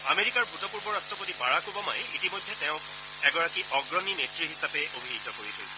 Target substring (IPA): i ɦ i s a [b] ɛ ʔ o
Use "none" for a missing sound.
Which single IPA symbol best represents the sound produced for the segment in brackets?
p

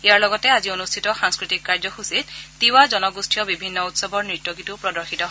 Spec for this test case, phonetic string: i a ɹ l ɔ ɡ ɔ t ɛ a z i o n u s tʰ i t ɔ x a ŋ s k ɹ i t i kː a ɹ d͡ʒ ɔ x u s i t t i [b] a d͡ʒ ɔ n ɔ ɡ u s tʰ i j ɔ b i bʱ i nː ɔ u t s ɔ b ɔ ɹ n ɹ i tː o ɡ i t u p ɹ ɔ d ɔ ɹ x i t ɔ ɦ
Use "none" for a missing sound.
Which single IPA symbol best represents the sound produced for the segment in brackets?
w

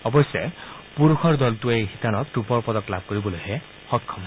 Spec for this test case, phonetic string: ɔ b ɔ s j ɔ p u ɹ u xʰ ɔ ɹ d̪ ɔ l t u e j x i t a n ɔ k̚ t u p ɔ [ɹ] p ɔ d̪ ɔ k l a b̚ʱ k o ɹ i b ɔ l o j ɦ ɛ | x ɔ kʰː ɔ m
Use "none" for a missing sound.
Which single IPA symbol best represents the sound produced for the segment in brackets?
ɹ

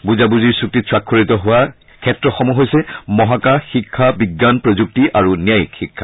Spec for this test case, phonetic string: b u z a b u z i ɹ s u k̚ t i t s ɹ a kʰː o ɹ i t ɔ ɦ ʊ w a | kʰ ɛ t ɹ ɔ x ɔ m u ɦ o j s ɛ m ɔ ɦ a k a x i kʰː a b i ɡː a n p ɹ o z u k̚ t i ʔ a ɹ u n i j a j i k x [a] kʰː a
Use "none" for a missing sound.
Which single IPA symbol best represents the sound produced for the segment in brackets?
i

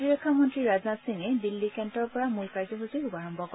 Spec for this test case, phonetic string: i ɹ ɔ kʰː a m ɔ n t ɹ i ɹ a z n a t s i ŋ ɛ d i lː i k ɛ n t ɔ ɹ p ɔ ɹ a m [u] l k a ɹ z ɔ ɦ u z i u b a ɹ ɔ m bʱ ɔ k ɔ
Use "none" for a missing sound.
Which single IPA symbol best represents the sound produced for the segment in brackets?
u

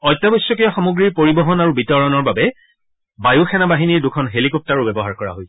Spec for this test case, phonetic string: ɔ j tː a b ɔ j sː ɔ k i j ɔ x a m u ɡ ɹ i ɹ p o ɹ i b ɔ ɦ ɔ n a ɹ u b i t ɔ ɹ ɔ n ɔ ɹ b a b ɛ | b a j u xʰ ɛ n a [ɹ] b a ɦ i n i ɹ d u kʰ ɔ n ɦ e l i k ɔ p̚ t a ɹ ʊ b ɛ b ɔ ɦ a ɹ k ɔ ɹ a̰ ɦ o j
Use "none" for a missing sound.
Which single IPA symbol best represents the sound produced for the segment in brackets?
none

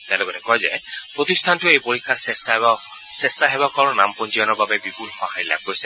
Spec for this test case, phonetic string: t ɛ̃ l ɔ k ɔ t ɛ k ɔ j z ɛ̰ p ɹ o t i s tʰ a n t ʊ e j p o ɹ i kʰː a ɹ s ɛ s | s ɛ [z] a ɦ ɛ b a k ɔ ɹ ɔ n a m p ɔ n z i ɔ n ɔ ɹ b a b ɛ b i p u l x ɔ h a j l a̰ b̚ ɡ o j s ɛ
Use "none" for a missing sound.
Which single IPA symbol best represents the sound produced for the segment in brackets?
s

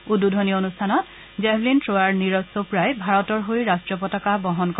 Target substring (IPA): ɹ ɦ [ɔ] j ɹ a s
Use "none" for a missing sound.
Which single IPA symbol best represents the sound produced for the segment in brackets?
o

